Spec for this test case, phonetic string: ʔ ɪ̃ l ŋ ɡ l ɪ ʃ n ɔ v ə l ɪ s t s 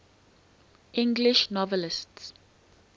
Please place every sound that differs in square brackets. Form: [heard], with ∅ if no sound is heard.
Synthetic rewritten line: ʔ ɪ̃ [∅] ŋ ɡ l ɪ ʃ n ɔ v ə l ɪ s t s